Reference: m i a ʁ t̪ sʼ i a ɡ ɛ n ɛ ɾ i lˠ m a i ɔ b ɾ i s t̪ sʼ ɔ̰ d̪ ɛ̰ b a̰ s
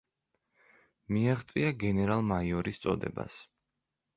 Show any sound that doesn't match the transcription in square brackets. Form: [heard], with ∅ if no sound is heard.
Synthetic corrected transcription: m i a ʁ t̪ sʼ i a ɡ ɛ n ɛ ɾ [a] lˠ m a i ɔ [∅] ɾ i s t̪ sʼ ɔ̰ d̪ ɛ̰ b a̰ s